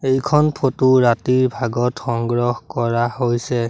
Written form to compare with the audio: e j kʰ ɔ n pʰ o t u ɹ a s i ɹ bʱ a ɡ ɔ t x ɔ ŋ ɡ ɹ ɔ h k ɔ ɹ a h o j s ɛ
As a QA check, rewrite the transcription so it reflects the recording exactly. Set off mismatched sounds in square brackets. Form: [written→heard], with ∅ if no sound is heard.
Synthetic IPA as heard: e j kʰ ɔ n pʰ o t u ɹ a [s→t] i ɹ bʱ a ɡ ɔ t x ɔ ŋ ɡ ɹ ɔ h k ɔ ɹ a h o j s ɛ